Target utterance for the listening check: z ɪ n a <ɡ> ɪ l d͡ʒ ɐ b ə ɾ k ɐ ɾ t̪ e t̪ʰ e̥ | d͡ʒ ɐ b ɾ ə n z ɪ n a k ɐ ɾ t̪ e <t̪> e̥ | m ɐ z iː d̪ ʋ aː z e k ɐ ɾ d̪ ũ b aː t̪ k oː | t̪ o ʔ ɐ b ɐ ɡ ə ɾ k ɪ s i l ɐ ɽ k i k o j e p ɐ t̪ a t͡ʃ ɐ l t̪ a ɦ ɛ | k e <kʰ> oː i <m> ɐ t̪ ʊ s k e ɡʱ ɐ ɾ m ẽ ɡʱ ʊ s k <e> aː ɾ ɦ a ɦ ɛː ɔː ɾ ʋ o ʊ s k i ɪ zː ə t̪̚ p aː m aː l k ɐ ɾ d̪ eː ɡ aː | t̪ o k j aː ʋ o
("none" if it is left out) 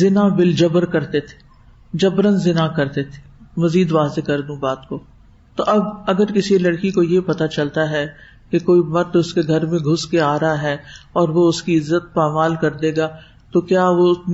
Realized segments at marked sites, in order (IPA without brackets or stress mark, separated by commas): b, t̪ʰ, k, m, e